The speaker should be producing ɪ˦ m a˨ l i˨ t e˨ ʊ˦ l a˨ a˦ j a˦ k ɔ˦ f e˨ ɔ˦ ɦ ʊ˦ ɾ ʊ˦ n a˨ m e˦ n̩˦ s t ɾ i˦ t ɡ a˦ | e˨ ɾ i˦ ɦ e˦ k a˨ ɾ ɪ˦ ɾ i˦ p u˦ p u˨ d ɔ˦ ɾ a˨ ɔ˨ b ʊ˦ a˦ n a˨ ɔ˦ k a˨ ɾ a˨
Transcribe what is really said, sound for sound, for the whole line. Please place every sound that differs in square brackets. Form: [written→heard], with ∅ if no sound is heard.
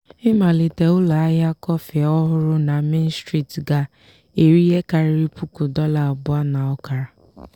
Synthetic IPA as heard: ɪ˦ m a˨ l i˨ t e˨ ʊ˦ l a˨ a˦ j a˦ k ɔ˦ f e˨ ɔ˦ ɦ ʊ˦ ɾ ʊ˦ n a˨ m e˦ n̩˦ s t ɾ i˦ t ɡ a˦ | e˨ ɾ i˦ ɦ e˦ k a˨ ɾ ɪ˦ ɾ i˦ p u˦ [p→k] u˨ d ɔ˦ [ɾ→l] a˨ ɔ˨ b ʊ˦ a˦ n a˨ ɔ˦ k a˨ ɾ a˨